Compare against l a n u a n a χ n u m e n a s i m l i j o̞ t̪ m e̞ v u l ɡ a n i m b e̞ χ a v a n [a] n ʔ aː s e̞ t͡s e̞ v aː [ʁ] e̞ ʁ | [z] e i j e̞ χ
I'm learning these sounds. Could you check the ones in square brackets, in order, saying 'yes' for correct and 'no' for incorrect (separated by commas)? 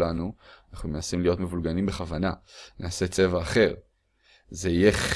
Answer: yes, no, yes